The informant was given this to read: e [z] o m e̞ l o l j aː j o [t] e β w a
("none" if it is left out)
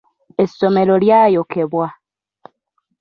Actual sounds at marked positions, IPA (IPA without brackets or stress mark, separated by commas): s, k